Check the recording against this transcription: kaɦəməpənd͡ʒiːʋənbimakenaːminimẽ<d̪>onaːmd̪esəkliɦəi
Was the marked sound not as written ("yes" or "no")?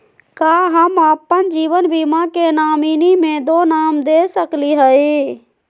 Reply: no